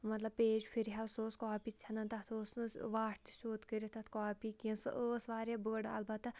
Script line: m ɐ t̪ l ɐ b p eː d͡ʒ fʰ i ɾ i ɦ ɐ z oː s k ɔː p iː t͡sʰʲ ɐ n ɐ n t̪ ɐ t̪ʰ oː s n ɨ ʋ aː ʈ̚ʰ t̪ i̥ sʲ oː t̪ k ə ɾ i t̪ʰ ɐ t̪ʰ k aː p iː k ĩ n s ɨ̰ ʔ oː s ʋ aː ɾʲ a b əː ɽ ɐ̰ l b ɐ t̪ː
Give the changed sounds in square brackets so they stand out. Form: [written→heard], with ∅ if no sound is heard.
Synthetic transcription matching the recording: m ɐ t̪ l ɐ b p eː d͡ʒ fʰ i ɾ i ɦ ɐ [z→s] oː s k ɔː p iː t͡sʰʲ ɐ n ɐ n t̪ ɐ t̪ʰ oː s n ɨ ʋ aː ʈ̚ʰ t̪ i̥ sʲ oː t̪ k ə ɾ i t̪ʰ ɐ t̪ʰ k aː p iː k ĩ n s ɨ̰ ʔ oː s ʋ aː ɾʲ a b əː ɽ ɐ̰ l b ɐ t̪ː